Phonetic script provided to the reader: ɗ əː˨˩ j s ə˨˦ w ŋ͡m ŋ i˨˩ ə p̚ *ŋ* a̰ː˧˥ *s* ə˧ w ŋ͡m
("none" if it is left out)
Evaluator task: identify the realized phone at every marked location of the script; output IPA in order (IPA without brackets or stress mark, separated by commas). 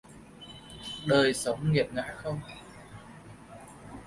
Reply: ŋ, x